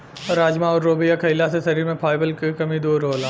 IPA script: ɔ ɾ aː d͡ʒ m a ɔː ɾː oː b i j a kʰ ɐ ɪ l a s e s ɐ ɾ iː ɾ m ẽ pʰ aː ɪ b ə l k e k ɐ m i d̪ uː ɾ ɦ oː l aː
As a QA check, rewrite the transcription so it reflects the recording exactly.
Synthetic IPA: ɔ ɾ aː d͡ʒ m a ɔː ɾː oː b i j a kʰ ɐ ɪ l a s e s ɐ ɾ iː ɾ m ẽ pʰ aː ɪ b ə l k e k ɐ m i d̪ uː ɾ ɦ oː l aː